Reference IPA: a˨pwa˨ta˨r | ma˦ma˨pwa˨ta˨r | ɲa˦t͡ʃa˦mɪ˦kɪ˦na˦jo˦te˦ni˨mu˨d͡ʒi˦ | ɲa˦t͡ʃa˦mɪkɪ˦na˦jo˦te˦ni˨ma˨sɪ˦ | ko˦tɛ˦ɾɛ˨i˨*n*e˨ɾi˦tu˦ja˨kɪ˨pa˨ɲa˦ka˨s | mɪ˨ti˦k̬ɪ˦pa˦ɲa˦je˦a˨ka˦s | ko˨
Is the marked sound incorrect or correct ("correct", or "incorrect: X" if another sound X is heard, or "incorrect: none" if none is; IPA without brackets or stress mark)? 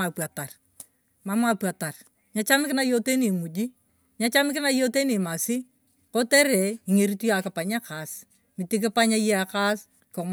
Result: incorrect: ŋ